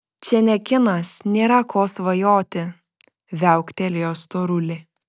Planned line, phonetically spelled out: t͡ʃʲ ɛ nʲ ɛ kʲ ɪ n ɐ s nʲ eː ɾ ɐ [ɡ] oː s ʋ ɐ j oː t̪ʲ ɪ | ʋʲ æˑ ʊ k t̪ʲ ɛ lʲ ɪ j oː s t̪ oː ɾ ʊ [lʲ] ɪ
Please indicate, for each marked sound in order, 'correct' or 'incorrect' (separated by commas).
incorrect, correct